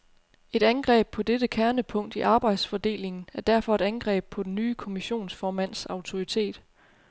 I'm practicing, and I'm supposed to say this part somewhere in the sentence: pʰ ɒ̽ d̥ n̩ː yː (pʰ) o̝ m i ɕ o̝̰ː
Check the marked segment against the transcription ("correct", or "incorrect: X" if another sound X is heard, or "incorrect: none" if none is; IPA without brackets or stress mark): incorrect: kʰ